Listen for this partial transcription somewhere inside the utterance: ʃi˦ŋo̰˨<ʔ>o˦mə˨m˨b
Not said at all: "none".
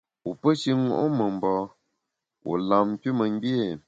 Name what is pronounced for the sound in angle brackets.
ʔ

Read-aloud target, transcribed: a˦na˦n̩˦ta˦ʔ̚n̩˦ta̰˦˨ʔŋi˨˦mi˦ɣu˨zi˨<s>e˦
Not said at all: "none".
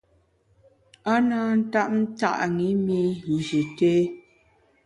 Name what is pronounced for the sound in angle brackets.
t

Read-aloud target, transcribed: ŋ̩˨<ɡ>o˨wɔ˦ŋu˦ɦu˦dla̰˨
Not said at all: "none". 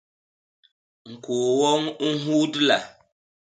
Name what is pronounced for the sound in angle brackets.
k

